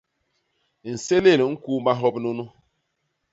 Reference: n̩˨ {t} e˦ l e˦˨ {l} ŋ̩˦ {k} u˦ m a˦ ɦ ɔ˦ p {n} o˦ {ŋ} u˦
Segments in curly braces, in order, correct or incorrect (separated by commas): incorrect, correct, correct, correct, incorrect